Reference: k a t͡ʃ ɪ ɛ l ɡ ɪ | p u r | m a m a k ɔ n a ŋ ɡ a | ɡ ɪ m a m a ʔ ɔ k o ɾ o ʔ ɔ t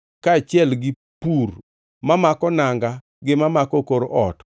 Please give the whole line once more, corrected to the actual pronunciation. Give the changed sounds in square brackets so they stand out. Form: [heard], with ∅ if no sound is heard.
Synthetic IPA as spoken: k a t͡ʃ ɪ ɛ l ɡ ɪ | p u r | m a m a k ɔ n a ŋ ɡ a | ɡ ɪ m a m a [k] ɔ k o ɾ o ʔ ɔ t